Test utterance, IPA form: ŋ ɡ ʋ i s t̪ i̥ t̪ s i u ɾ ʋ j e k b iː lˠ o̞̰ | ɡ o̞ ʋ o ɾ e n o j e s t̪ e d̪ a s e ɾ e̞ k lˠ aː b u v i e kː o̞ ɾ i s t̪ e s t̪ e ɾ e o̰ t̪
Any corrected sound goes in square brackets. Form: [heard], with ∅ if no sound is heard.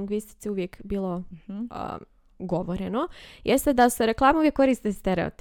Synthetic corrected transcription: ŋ ɡ ʋ i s t̪ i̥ t̪ s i u [∅] ʋ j e k b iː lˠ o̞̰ | ɡ o̞ ʋ o ɾ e n o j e s t̪ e d̪ a s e ɾ e̞ k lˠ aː [m] u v [j] e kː o̞ ɾ i s t̪ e s t̪ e ɾ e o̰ t̪